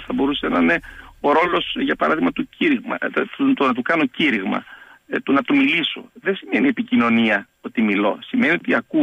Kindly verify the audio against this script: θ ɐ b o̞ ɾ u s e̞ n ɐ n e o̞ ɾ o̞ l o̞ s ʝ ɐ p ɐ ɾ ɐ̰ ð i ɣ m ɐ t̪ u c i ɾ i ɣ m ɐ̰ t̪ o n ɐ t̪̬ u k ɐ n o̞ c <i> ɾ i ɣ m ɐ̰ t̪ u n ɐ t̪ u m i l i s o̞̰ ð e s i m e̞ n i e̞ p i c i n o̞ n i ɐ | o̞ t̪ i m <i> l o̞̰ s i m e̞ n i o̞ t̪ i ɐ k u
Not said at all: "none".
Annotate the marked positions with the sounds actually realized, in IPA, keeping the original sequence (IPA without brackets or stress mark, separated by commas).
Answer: i, i